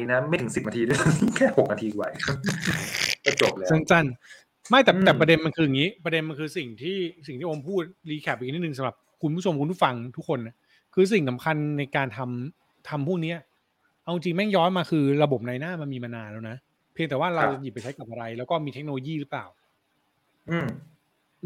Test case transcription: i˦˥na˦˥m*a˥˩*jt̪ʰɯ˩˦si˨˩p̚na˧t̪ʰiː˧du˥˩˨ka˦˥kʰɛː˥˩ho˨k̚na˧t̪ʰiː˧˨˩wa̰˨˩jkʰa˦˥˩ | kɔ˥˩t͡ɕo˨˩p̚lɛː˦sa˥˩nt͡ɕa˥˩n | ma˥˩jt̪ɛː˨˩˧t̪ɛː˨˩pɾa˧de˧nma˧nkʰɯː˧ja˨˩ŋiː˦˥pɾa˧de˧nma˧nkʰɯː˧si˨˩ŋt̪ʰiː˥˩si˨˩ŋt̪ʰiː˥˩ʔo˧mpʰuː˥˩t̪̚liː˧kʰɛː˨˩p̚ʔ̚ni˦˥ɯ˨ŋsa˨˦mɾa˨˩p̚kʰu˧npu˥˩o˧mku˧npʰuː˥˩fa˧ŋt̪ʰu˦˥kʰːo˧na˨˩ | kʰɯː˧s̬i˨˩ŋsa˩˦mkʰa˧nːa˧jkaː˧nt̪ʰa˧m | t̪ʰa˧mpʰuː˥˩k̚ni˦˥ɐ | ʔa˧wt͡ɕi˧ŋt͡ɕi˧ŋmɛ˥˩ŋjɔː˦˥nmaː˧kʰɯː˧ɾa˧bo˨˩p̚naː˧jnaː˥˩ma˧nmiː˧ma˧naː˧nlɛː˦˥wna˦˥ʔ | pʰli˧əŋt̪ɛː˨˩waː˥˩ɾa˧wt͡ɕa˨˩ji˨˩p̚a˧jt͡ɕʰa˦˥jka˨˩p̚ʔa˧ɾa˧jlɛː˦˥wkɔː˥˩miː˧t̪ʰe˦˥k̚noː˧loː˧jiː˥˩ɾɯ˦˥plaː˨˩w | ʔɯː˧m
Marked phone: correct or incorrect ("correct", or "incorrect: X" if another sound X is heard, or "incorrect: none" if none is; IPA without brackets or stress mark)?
correct